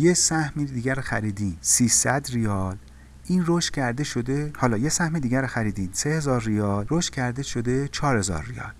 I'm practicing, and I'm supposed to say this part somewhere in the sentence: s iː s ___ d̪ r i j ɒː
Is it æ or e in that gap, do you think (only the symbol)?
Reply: æ